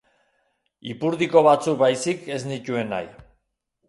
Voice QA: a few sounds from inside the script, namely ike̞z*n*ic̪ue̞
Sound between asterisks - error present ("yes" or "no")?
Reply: no